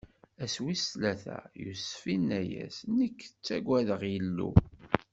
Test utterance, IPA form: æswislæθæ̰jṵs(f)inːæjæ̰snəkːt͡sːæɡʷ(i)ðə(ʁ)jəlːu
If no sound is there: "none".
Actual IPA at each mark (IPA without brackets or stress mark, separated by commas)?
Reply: f, æ, ʁ